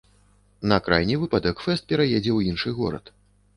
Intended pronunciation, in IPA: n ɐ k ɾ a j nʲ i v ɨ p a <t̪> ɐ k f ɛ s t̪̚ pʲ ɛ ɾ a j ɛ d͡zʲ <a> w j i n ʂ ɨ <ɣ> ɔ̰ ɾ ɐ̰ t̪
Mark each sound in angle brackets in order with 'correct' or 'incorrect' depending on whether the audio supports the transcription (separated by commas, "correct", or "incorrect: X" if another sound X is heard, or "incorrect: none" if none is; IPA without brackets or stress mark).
incorrect: d̪, incorrect: ɛ, correct